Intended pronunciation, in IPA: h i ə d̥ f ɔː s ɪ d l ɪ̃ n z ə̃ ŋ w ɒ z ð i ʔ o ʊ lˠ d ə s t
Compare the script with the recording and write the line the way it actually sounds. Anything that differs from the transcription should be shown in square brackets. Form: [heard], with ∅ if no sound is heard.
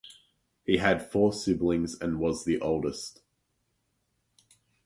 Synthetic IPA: h i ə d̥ f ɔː s ɪ [b] l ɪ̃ [ŋ] z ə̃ [n] w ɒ z ð i ʔ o ʊ lˠ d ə s t